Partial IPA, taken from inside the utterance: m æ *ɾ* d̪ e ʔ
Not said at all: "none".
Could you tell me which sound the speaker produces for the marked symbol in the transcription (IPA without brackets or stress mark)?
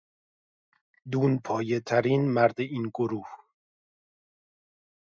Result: ɾ